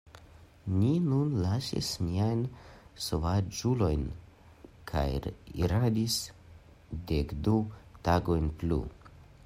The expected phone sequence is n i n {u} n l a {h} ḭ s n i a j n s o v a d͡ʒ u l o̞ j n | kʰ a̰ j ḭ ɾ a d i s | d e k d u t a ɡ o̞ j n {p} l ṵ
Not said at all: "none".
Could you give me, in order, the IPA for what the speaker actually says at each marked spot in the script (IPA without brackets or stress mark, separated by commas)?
u, ʃ, p